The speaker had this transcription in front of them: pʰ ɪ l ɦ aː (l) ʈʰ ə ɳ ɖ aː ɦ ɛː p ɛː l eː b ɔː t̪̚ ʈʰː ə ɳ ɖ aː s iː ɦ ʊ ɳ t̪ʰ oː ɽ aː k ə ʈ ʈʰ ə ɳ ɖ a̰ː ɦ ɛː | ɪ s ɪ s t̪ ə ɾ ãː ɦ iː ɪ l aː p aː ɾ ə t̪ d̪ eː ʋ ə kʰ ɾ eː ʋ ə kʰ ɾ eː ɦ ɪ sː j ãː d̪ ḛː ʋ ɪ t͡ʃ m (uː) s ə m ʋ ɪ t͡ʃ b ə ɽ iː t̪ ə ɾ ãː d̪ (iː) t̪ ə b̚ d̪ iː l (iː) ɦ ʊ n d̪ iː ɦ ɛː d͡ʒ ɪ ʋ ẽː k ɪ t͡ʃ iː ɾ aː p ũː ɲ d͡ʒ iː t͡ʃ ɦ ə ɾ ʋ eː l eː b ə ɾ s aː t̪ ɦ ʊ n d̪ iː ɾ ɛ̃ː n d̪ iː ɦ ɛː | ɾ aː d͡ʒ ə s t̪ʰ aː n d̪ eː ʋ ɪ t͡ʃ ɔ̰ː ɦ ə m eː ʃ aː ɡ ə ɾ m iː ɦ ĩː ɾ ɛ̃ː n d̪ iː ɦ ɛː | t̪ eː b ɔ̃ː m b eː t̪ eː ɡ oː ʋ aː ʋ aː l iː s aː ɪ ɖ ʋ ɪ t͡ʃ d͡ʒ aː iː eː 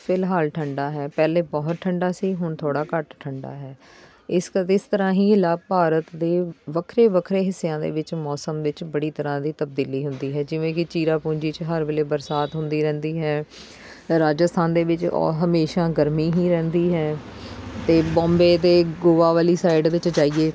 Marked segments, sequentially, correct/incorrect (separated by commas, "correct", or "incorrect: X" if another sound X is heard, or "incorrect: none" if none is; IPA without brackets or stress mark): correct, incorrect: ɔː, correct, correct